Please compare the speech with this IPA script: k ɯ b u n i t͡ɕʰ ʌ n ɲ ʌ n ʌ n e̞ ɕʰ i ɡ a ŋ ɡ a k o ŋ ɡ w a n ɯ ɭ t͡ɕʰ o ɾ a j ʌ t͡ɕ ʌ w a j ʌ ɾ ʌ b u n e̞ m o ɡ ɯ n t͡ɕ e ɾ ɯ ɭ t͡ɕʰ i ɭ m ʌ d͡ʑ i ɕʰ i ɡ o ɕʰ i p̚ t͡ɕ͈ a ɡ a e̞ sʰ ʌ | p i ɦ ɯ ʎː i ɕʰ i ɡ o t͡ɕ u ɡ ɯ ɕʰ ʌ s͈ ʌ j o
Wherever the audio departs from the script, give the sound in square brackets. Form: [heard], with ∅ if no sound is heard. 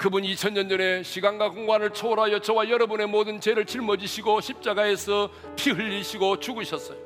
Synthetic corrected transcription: k ɯ b u n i t͡ɕʰ ʌ n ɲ ʌ n ʌ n e̞ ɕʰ i ɡ a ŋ ɡ a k o ŋ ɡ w a n ɯ ɭ t͡ɕʰ o ɾ a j ʌ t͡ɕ ʌ w a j ʌ ɾ ʌ b u n e̞ m o [d] ɯ n t͡ɕ e ɾ ɯ ɭ [t͡ɕ] i ɭ m ʌ d͡ʑ i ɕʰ i ɡ o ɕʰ i p̚ t͡ɕ͈ a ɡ a e̞ sʰ ʌ | [pʰ] i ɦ ɯ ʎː i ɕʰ i ɡ o t͡ɕ u ɡ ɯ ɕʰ ʌ s͈ ʌ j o